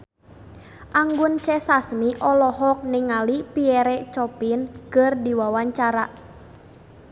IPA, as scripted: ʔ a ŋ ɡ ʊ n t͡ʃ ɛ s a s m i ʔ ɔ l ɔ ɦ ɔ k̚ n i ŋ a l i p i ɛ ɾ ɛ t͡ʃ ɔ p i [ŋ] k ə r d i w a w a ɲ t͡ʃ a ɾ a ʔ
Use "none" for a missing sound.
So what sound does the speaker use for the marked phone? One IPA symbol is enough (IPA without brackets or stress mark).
n